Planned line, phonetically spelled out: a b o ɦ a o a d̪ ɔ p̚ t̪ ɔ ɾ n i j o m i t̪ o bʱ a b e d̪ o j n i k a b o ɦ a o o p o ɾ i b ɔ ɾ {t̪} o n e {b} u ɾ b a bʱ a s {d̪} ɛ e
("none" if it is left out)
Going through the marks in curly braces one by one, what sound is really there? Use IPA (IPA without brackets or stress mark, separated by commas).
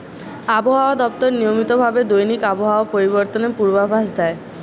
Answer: t̪, p, d̪